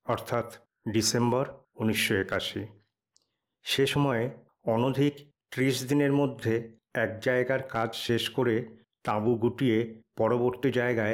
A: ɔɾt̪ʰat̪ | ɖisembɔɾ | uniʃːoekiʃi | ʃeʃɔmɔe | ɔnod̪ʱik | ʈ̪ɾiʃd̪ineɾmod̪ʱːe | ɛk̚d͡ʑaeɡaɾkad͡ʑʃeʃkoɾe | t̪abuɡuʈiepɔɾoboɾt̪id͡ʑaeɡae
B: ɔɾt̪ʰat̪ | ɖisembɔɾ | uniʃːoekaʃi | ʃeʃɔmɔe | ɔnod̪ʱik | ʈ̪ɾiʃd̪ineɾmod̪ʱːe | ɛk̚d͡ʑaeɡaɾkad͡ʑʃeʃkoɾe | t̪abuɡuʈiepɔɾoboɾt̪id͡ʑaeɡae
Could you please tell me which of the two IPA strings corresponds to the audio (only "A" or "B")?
B